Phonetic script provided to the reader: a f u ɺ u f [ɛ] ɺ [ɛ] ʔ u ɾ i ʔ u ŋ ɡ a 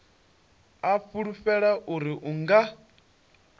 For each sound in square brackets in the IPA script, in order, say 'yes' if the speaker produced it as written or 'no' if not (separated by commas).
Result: yes, no